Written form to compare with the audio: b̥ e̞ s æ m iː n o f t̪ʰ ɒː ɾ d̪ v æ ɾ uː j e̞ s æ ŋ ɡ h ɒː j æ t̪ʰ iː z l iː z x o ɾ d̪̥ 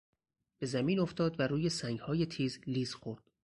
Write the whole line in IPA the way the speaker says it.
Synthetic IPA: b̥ e̞ z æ m iː n o f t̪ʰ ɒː d̪ v æ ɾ uː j e̞ s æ ŋ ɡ h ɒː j e t̪ʰ iː z l iː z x o ɾ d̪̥